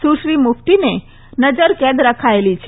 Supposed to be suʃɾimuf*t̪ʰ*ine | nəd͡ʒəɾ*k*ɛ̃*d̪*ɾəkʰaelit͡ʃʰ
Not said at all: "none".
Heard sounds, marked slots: t̪, k, d̪

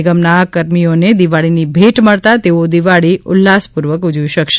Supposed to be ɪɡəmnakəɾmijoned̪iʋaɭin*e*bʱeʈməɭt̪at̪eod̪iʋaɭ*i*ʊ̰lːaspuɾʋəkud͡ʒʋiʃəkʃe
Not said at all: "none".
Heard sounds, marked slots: i, i

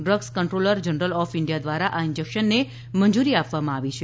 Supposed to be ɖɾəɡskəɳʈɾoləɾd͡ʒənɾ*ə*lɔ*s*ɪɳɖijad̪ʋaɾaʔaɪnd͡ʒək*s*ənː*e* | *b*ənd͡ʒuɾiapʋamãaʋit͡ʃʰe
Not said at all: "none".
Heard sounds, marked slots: ə, f, ʃ, e, m

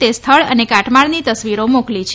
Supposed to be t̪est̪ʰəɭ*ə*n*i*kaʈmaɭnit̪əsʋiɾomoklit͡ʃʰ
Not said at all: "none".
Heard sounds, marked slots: ə, e

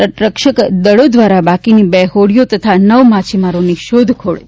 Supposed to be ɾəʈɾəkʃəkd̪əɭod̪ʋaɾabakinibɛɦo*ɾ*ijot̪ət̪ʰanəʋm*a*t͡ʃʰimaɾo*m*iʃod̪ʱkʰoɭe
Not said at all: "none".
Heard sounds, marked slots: ɽ, a, n

